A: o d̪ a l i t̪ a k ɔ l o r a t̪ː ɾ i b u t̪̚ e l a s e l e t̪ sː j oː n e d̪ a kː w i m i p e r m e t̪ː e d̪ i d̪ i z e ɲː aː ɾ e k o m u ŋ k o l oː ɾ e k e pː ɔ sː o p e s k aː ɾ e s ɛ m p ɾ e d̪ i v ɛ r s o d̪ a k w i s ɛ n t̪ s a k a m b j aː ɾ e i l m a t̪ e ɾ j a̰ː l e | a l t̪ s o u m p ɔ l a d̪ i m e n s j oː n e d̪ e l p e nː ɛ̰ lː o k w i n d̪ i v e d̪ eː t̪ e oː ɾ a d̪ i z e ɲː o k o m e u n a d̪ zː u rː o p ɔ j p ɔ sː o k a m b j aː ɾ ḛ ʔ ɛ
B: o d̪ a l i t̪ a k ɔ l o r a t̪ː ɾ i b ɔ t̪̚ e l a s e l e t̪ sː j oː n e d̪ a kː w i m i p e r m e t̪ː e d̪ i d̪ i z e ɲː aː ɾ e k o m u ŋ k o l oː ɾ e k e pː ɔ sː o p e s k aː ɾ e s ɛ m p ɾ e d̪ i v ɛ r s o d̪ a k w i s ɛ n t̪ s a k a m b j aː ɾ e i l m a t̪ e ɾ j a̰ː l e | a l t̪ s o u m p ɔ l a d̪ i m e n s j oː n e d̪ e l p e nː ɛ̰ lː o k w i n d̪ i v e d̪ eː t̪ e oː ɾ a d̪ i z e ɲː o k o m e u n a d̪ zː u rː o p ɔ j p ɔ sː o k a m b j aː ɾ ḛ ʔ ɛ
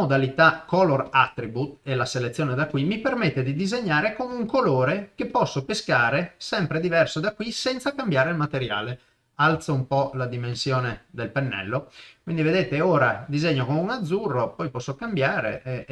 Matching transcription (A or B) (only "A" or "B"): A